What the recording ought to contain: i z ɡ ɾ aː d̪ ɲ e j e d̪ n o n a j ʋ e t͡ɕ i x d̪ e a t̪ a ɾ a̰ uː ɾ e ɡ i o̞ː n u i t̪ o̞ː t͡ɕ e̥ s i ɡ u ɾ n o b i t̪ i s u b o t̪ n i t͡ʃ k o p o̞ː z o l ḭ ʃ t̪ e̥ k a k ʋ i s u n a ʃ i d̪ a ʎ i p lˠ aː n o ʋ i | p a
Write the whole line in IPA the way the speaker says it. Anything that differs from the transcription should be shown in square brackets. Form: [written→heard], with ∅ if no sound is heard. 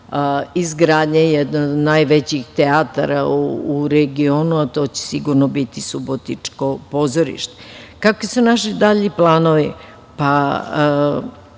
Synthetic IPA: i z ɡ ɾ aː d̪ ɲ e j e d̪ n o n a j ʋ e t͡ɕ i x [d̪→t̪] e a t̪ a ɾ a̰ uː ɾ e ɡ i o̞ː n u [i→a] t̪ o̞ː t͡ɕ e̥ s i ɡ u ɾ n o b i t̪ i s u b o t̪ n i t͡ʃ k o p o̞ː z o [l→ɾ] ḭ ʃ t̪ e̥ k a k ʋ i s u n a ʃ i d̪ a ʎ i p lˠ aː n o ʋ i | p a